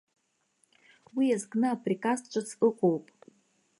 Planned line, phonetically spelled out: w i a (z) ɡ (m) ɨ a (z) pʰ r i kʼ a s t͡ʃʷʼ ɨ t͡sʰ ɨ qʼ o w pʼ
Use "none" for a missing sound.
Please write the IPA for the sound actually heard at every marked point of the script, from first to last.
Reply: z, n, none

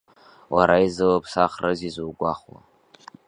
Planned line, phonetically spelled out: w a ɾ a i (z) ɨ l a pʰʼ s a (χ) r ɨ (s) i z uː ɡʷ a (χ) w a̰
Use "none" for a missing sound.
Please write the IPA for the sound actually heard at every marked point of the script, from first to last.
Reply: z, χ, z, χ

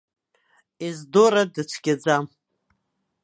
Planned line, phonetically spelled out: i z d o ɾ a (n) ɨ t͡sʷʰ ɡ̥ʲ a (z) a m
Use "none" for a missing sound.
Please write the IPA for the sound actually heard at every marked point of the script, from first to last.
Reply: d, d͡z

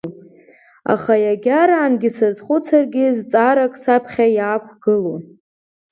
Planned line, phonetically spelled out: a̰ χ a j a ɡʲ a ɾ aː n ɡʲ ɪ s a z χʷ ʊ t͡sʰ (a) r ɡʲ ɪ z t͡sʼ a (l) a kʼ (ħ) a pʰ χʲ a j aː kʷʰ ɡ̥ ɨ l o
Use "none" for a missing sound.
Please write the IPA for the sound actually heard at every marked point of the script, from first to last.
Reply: a, ɾ, s

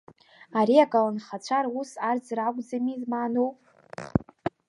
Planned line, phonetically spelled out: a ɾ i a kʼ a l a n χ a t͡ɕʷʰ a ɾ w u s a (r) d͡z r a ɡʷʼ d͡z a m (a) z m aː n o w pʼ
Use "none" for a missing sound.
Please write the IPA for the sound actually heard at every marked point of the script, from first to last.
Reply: r, i

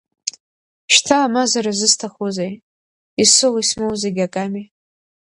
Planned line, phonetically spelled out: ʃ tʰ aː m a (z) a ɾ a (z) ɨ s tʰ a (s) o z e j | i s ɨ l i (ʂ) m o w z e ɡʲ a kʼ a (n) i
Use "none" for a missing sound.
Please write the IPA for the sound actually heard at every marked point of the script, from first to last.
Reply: z, z, χ, s, m

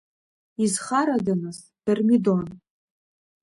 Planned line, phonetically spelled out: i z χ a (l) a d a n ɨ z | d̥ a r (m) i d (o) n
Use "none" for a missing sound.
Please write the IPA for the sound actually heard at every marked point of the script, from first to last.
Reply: ɾ, m, o

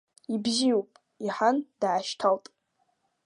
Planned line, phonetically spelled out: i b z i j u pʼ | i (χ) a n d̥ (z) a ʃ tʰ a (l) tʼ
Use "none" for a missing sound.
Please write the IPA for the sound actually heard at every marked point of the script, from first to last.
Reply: ħ, ʕ, l

